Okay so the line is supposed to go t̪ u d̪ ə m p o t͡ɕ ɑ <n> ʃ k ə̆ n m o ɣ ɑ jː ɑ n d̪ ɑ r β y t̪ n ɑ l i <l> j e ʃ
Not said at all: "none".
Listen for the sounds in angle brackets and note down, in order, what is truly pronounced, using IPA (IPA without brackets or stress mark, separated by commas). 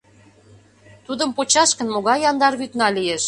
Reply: none, none